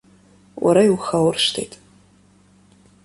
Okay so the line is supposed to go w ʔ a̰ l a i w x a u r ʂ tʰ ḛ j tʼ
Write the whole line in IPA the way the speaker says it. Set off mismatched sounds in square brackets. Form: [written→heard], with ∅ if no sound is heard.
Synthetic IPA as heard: w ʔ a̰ [l→ɾ] a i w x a [u→w] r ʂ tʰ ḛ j tʼ